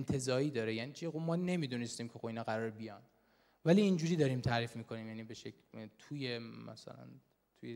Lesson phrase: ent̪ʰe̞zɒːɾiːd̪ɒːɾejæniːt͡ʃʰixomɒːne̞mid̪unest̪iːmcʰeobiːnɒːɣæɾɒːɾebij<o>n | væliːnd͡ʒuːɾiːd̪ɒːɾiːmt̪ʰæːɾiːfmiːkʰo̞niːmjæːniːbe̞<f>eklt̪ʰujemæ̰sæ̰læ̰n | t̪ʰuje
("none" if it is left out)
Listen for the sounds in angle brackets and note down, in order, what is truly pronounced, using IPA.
ɒ, ʃ

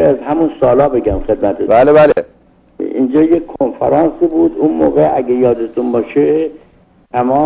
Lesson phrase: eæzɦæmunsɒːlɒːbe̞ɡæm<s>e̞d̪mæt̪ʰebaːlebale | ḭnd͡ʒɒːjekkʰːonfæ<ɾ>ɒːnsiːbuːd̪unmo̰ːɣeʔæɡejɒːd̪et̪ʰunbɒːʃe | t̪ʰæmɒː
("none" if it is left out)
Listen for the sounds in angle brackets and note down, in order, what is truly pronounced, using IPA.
x, ɾ

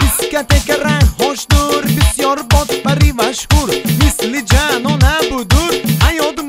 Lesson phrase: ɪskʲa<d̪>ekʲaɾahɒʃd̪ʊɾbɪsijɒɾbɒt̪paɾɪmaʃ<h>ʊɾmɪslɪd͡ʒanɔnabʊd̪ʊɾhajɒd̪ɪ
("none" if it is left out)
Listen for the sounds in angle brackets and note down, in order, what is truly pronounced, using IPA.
t̪, h

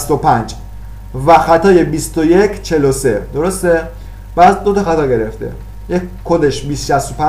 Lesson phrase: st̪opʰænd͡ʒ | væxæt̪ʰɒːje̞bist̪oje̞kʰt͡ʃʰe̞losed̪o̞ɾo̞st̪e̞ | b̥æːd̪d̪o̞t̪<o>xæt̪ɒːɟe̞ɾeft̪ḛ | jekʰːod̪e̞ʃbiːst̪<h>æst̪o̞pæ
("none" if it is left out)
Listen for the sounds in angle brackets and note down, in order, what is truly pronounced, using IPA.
ɒ, ʃ

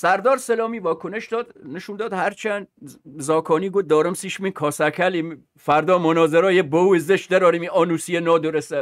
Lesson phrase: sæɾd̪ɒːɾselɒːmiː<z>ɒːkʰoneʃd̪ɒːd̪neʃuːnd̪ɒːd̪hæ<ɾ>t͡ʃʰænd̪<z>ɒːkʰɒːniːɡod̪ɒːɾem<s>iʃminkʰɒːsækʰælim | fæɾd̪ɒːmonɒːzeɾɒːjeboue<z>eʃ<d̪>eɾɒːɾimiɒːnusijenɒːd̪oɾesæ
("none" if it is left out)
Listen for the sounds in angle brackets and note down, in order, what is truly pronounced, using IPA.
v, ɾ, z, s, z, d̪

